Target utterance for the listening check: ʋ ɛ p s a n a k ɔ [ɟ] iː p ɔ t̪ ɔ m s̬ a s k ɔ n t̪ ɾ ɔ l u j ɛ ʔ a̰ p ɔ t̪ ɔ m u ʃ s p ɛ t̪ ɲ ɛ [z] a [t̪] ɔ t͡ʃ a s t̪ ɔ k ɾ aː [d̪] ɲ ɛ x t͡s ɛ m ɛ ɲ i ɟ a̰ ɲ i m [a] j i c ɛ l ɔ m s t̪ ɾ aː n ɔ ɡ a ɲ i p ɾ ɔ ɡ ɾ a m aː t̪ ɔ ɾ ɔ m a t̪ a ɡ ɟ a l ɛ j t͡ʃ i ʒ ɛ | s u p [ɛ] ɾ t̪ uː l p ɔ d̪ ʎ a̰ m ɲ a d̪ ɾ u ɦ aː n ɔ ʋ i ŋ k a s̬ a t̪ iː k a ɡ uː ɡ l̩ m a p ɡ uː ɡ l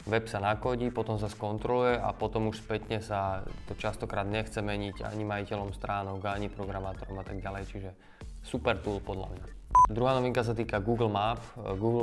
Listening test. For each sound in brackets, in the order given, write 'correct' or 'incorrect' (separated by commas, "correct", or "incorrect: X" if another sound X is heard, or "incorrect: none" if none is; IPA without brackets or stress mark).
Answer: correct, incorrect: s, correct, correct, correct, correct